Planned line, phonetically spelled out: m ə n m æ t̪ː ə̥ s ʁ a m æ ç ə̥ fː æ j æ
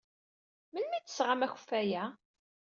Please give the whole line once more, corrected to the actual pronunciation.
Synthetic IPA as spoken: m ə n m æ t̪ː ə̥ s ʁ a m æ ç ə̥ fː æ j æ